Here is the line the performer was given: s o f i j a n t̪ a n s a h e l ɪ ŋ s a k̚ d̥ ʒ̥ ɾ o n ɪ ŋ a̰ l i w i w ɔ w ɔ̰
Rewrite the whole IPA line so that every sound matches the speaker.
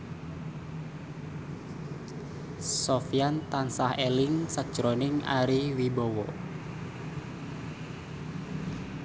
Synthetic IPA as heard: s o f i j a n t̪ a n s a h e l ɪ ŋ s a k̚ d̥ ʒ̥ ɾ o n ɪ ŋ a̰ ɾ i w i b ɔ w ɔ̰